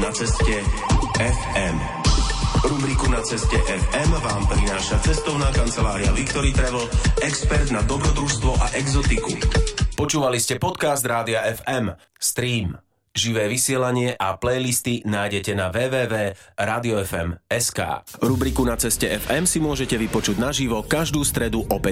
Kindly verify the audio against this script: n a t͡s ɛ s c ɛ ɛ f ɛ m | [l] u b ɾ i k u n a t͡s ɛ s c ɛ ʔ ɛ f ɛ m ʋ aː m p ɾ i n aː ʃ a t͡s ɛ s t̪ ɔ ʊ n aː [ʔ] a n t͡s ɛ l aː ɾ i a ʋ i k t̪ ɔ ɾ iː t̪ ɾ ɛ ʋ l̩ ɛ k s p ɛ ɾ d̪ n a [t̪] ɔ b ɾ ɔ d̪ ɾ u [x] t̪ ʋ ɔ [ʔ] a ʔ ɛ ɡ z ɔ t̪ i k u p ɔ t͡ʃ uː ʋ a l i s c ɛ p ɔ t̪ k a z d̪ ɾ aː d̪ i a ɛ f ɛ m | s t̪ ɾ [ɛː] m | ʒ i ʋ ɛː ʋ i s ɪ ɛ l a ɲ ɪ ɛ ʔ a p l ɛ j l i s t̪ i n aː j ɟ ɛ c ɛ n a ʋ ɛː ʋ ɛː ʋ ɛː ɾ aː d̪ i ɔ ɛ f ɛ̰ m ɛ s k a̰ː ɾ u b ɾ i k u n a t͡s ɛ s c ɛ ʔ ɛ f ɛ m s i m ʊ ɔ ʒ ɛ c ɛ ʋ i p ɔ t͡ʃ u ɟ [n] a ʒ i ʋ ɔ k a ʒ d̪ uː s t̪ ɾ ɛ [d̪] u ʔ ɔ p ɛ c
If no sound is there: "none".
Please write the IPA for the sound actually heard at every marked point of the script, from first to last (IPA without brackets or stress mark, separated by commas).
ɾ, k, d̪, s, ʔ, iː, n, d̪